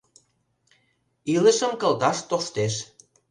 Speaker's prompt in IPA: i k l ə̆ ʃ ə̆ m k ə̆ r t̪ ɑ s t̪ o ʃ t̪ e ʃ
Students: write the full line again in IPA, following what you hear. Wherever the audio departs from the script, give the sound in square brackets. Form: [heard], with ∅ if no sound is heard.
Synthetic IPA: i [∅] l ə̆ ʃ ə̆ m k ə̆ [l] t̪ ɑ [ʃ] t̪ o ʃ t̪ e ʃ